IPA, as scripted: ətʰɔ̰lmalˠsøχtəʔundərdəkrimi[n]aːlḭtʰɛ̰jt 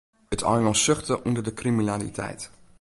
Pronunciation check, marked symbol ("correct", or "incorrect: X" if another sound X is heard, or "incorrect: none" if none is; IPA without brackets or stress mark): correct